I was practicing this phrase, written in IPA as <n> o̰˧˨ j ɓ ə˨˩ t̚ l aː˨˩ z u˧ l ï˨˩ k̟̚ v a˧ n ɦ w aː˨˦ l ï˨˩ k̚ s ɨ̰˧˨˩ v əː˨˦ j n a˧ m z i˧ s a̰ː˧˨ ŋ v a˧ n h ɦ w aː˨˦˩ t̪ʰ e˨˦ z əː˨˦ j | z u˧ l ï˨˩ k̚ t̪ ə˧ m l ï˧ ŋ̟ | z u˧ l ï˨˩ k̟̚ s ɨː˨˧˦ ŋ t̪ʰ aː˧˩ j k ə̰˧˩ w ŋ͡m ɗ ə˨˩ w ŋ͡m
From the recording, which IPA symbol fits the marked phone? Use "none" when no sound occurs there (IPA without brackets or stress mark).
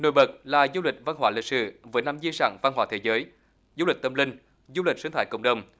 n